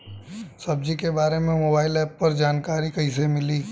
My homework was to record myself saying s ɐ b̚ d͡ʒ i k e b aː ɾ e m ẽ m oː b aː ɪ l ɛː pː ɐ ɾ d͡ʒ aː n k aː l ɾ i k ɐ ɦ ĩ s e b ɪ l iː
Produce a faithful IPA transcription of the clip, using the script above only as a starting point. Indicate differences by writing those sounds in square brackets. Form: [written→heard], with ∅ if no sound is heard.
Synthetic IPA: s ɐ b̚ d͡ʒ i k e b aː ɾ e m ẽ m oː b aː ɪ l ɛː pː ɐ ɾ d͡ʒ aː n k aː [l→∅] ɾ i k ɐ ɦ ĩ s e [b→m] ɪ l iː